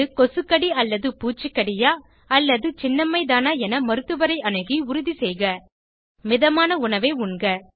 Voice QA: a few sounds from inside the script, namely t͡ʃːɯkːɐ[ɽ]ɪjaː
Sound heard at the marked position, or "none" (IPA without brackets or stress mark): ɽ